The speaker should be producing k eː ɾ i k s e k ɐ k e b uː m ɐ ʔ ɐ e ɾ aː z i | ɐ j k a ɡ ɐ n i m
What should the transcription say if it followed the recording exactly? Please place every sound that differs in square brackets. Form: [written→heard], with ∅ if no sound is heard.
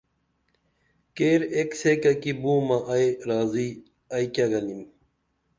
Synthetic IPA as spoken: k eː ɾ [i→e] k s e k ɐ k [e→i] b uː m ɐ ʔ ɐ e ɾ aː z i | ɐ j k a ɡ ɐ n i m